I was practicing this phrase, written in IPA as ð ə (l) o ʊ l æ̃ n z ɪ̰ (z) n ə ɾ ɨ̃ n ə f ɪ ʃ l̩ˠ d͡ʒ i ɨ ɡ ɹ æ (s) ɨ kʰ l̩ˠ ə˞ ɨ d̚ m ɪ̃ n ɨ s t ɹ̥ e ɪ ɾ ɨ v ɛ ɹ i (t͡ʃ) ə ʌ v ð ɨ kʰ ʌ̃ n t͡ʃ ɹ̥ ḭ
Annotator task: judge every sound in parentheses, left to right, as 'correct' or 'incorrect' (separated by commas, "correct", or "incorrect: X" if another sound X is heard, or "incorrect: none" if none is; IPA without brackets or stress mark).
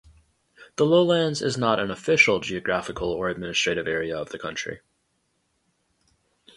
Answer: correct, correct, incorrect: f, incorrect: none